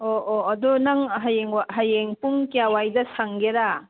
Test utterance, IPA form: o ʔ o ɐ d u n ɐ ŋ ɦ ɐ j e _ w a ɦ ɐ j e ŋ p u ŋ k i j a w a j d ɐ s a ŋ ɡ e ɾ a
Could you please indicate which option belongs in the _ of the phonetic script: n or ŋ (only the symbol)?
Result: ŋ